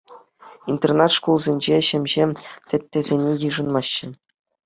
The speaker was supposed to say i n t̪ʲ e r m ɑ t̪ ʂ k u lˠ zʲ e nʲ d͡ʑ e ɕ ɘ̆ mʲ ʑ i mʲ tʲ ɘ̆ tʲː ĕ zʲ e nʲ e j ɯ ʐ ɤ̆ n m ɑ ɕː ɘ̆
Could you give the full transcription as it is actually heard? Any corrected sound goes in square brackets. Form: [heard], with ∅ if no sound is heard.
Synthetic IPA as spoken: i n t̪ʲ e r [n] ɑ t̪ ʂ k u lˠ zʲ e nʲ d͡ʑ e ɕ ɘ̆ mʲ ʑ [e] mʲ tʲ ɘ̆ tʲː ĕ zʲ e nʲ e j ɯ ʐ ɤ̆ n m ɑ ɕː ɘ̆

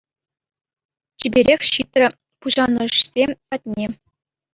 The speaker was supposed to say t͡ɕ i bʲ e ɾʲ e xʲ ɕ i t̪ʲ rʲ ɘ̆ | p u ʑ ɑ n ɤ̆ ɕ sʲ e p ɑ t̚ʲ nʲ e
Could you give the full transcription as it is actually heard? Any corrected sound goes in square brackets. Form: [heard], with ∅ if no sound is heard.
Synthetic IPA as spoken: t͡ɕ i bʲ e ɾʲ e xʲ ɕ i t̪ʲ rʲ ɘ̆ | p u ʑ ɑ n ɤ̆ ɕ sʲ e p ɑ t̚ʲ nʲ e

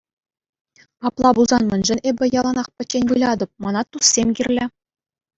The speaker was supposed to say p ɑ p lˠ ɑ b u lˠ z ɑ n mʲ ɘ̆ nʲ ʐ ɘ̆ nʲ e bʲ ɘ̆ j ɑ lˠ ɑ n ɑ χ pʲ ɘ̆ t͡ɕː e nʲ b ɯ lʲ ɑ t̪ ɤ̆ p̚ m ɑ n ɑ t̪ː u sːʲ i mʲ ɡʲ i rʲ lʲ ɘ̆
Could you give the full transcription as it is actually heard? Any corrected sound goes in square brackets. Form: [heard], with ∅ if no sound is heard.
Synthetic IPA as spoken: p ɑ p lˠ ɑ b u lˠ z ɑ n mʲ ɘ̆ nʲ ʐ ɘ̆ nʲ e bʲ ɘ̆ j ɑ lˠ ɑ n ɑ χ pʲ ɘ̆ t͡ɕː e nʲ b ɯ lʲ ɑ [d̪] ɤ̆ p̚ m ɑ n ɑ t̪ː u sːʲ [e] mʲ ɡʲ i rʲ lʲ ɘ̆

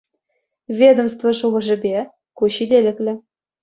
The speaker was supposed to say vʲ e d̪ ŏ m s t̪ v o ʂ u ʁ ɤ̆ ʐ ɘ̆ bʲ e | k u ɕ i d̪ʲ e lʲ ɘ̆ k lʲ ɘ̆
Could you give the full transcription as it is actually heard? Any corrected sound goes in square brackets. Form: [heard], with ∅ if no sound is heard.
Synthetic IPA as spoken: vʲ e d̪ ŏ m s t̪ v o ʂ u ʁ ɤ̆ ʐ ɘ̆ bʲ e | k u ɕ i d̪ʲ e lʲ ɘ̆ k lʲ ɘ̆

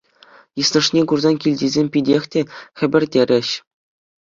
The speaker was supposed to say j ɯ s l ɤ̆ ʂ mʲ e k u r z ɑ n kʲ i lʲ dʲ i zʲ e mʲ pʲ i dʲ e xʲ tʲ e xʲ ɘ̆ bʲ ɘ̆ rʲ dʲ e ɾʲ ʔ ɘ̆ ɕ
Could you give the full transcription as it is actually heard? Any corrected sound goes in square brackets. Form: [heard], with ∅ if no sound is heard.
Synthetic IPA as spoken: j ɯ s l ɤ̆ ʂ [nʲ] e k u r z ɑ n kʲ i lʲ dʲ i zʲ e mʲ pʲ i dʲ e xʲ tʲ e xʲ ɘ̆ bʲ ɘ̆ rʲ dʲ e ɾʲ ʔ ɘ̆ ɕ

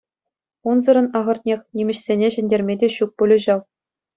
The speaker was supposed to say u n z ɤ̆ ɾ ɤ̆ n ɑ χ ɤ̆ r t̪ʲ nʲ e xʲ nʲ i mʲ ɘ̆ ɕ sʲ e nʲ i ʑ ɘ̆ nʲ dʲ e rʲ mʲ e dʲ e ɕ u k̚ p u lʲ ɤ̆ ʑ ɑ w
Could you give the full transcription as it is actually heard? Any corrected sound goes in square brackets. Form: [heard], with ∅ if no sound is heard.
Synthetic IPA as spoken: u n z ɤ̆ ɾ ɤ̆ n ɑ [ʁ] ɤ̆ r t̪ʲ nʲ e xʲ nʲ i mʲ ɘ̆ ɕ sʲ e nʲ [e] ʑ ɘ̆ nʲ dʲ e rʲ mʲ e dʲ e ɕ u k̚ p u lʲ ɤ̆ ʑ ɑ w

